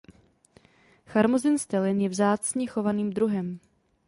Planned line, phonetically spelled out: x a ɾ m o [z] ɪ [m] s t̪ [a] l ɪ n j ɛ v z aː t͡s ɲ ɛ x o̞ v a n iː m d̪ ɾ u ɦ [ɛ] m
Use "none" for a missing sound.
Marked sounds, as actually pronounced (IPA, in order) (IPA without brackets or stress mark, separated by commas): z, n, ɛ, ɛ